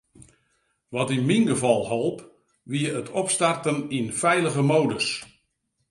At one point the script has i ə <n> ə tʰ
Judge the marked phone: incorrect: none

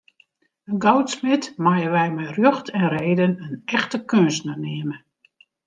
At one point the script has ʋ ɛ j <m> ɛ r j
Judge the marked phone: correct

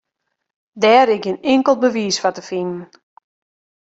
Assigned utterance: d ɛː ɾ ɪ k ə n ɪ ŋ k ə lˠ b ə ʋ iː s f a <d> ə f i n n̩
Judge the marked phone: incorrect: t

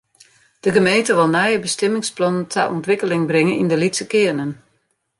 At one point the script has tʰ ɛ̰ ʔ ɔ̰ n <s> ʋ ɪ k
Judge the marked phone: incorrect: t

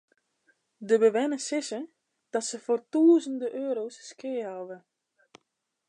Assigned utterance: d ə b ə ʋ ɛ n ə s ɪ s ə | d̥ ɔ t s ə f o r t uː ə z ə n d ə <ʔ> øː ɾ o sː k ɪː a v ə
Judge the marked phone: correct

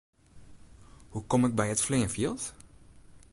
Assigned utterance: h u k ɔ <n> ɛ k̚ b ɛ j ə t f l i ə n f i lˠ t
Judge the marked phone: incorrect: m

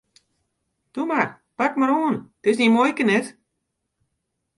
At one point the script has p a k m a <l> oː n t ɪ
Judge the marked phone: incorrect: ɾ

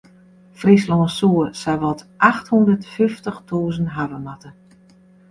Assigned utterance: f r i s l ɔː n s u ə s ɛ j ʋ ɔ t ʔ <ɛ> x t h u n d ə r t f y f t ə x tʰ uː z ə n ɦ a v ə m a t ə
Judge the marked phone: incorrect: a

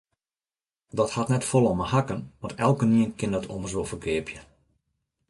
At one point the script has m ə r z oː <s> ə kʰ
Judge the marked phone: incorrect: f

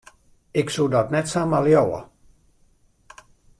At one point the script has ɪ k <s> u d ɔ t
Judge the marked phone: correct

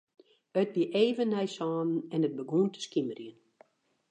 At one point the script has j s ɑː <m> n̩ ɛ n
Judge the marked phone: incorrect: n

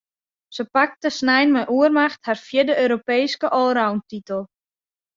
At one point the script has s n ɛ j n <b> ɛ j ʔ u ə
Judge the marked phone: incorrect: m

